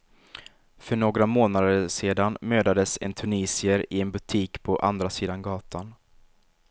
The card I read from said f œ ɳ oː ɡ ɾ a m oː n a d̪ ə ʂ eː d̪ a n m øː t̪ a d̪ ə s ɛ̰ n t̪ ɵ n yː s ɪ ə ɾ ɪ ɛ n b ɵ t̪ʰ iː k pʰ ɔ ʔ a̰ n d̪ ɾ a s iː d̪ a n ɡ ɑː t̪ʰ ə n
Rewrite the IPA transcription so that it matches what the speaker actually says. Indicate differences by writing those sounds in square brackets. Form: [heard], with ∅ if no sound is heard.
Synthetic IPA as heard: f œ ɳ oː ɡ ɾ a m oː n a d̪ ə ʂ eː d̪ a n m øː [d̪] a d̪ ə s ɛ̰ n [t̪ʰ] ɵ n [iː] s ɪ ə ɾ ɪ ɛ n b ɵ t̪ʰ iː k pʰ ɔ ʔ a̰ n d̪ ɾ a s iː d̪ a n ɡ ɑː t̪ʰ [a] n